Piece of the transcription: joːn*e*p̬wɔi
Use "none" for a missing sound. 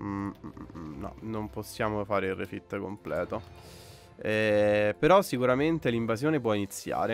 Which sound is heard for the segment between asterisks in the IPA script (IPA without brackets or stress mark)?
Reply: e